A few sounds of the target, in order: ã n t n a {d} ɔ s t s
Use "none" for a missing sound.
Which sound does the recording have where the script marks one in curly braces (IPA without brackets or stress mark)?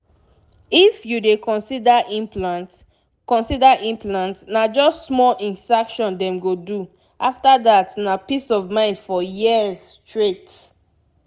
d͡ʒ